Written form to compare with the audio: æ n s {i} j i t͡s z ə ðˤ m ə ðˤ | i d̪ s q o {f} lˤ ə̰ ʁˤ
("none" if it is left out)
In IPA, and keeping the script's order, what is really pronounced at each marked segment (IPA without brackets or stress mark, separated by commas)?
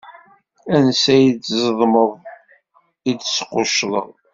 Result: æ, ʃ